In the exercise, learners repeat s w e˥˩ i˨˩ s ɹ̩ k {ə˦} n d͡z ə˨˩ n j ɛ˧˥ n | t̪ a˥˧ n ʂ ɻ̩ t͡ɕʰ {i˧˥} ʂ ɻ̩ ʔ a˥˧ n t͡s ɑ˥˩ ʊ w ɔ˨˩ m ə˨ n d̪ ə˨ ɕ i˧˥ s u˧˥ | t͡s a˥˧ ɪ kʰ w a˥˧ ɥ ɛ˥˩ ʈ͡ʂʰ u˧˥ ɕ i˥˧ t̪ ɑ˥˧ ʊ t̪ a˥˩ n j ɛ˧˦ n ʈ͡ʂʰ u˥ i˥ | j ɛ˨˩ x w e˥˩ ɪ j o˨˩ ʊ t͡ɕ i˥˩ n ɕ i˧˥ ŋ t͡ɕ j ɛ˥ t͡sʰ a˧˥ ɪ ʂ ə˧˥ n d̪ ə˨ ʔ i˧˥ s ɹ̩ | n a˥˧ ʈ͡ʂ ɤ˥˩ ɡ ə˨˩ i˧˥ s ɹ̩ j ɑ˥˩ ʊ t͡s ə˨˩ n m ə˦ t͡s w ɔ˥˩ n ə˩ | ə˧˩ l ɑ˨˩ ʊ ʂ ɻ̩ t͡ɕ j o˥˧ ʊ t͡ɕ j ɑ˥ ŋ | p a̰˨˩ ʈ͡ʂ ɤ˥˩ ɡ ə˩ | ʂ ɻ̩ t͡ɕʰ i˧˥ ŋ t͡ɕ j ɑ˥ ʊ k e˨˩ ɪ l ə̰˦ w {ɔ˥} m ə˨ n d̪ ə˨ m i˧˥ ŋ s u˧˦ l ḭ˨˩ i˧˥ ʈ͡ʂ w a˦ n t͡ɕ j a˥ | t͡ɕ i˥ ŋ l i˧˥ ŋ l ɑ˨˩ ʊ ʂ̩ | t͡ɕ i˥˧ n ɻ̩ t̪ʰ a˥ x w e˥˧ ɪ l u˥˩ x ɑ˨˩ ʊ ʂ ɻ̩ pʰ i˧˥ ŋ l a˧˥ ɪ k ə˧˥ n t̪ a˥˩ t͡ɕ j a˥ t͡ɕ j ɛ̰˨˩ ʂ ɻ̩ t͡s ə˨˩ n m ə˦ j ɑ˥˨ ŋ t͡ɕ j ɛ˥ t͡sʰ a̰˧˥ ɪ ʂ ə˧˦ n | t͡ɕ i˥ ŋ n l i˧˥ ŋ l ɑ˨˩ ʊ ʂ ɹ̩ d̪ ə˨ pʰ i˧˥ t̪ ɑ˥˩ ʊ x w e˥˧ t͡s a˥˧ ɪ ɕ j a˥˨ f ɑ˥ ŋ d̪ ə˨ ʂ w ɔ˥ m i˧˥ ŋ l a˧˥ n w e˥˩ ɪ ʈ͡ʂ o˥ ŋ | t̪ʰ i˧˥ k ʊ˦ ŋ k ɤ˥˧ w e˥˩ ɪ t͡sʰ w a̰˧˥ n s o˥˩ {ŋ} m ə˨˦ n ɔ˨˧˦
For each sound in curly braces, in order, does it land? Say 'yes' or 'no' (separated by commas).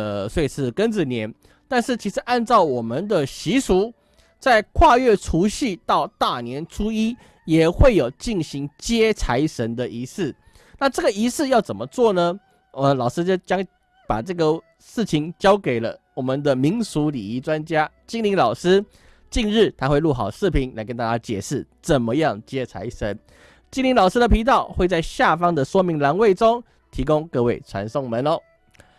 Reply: yes, yes, no, yes